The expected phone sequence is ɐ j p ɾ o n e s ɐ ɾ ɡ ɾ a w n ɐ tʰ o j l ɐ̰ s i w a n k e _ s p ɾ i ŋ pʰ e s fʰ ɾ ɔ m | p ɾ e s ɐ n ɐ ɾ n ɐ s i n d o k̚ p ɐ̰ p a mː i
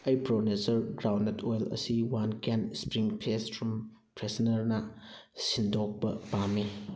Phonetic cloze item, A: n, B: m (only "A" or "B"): A